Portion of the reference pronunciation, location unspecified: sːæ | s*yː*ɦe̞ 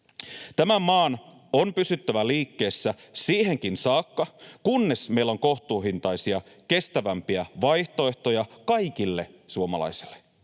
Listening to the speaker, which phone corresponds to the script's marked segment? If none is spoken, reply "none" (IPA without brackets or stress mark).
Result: iː